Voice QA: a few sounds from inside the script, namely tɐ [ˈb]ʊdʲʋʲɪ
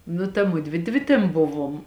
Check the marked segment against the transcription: incorrect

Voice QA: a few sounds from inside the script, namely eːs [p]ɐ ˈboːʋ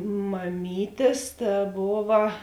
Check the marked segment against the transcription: incorrect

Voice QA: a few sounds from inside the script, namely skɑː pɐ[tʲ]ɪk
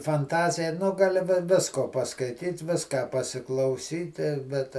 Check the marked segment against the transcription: incorrect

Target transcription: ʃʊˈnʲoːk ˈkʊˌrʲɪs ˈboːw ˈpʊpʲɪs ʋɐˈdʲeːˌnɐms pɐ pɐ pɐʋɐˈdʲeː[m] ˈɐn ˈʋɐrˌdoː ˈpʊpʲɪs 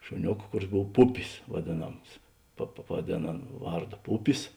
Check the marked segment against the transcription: incorrect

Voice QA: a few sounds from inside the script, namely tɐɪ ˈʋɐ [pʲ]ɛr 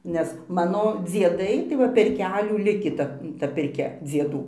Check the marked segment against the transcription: correct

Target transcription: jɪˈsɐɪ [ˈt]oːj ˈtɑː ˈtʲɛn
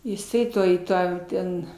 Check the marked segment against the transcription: correct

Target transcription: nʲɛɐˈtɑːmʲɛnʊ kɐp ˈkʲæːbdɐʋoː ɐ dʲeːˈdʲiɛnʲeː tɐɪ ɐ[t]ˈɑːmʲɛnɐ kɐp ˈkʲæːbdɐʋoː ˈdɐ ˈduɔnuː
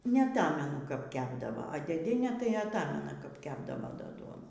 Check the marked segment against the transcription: correct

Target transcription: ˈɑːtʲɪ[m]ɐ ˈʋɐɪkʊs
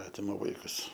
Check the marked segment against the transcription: correct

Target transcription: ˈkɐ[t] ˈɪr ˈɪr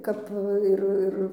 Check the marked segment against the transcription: incorrect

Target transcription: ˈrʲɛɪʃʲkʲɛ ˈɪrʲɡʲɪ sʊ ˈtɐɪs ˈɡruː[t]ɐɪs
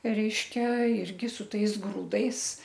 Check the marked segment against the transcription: incorrect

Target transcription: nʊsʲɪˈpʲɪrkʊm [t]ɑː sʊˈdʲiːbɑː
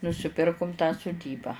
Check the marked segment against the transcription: correct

